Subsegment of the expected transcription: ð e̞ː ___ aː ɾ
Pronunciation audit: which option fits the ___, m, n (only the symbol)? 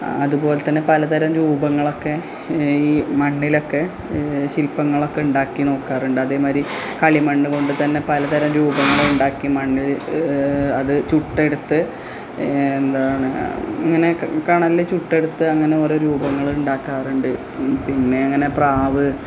m